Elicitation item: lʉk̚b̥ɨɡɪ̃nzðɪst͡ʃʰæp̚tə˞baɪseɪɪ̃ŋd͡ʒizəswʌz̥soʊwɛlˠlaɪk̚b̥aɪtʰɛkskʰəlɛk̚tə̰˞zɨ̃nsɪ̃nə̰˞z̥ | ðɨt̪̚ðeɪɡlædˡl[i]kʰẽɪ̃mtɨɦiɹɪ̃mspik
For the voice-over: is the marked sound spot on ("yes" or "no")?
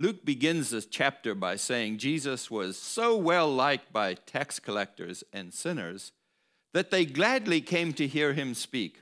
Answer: yes